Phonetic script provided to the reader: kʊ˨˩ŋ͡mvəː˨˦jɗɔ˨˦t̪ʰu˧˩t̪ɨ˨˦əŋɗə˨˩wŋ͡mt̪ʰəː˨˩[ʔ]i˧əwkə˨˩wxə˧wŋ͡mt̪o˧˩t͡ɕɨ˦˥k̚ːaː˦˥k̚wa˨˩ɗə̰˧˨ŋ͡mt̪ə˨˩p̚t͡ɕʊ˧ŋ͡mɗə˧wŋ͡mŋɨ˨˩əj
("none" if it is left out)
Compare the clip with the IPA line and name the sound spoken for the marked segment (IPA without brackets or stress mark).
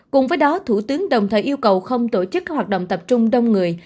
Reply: ʔ